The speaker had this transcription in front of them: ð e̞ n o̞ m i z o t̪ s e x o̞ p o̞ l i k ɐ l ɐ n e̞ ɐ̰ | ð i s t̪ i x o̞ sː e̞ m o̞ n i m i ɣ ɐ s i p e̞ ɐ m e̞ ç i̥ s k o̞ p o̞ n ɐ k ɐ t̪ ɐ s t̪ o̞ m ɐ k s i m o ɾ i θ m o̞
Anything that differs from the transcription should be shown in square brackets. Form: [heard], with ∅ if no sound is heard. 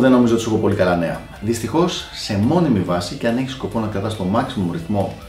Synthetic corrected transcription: ð e̞ n o̞ m i z o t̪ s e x o̞ p o̞ l i k ɐ l ɐ n e̞ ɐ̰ | ð i s t̪ i x o̞ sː e̞ m o̞ n i m i [v] ɐ s i [c] e̞ ɐ [n] e̞ ç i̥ s k o̞ p o̞ n ɐ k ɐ t̪ ɐ s t̪ o̞ m ɐ k s i m o ɾ i θ m o̞